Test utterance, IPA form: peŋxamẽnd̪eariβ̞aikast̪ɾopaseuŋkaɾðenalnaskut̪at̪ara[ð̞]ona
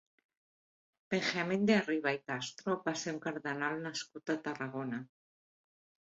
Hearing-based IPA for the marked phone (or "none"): ɣ̞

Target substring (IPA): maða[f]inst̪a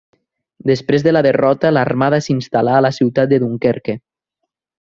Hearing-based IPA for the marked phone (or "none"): s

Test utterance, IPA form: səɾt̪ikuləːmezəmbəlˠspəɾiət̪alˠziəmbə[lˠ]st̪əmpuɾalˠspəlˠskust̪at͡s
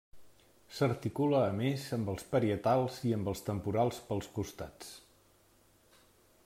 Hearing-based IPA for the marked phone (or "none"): lˠ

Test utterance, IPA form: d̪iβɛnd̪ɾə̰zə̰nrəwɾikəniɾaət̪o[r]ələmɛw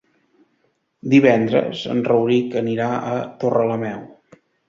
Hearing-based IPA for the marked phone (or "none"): r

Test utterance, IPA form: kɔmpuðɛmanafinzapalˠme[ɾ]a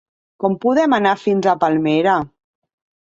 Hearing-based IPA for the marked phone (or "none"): ɾ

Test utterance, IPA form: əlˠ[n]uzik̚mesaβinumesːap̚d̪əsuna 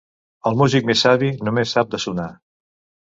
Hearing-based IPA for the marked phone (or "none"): m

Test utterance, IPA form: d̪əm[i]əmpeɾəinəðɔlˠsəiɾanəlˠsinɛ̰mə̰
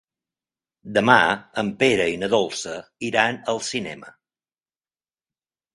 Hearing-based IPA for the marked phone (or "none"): a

